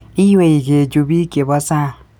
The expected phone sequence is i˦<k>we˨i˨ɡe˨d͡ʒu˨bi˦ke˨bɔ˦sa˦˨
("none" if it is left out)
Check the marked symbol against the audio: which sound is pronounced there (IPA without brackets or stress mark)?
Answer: none